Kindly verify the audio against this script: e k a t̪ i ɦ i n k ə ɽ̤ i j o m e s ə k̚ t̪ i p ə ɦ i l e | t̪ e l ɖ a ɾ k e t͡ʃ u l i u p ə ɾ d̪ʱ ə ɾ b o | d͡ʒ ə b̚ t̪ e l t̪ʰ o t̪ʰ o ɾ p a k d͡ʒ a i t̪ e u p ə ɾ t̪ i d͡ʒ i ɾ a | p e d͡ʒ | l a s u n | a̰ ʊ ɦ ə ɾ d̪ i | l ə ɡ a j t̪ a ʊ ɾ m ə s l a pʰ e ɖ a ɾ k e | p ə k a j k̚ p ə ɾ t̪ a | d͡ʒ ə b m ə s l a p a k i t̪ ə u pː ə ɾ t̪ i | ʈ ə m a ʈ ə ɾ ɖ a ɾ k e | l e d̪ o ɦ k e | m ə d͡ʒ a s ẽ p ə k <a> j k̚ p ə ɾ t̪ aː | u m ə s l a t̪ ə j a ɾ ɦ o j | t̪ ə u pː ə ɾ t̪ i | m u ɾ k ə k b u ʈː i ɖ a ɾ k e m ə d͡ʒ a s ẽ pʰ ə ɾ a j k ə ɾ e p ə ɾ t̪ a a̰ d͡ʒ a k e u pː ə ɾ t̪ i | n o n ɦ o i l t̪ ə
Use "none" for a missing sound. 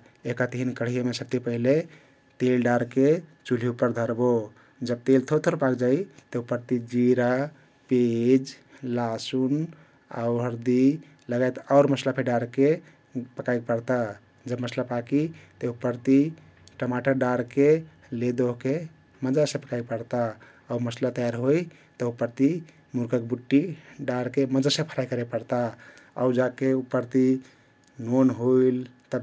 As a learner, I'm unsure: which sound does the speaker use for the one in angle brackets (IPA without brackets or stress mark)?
a